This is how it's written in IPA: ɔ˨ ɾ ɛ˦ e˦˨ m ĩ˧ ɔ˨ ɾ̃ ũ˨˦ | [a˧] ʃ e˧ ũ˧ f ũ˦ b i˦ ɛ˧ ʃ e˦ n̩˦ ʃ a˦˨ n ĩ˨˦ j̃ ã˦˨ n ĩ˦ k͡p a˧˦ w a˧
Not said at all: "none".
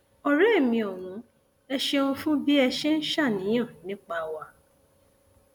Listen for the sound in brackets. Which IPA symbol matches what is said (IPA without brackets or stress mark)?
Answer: ɛ˧